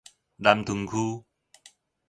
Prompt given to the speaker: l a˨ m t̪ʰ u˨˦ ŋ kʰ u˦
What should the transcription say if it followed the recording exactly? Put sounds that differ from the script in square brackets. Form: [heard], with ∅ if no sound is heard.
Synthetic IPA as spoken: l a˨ m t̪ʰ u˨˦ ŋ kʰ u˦